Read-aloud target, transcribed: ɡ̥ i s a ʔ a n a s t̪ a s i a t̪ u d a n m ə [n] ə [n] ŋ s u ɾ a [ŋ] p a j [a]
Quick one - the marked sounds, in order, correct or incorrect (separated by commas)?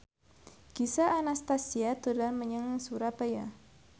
incorrect, incorrect, incorrect, correct